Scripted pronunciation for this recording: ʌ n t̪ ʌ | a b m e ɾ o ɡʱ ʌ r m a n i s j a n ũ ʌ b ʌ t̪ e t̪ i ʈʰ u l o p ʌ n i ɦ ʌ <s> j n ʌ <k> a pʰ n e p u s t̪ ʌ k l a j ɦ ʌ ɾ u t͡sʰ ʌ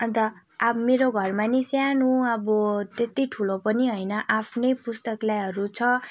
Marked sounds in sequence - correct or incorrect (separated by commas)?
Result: incorrect, incorrect